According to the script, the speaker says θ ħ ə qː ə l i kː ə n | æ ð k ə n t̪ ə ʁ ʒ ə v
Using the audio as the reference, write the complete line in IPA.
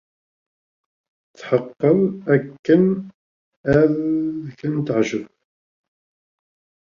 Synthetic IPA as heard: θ ħ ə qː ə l æ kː ə n | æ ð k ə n t̪ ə ʕ ʒ ə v